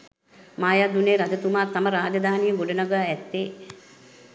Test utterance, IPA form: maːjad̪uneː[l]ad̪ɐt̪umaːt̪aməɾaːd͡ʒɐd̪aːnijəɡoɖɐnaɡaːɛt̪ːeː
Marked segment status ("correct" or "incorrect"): incorrect